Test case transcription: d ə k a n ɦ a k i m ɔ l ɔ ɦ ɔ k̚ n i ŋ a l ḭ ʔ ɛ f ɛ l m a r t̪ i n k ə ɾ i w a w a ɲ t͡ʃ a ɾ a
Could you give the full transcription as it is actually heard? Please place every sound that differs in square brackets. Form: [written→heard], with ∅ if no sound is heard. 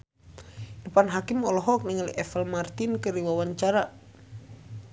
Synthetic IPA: d ə [k→p] a n ɦ a k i m ɔ l ɔ ɦ ɔ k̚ n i ŋ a l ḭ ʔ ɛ f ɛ l m a r t̪ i n k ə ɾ i w a w a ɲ t͡ʃ a ɾ a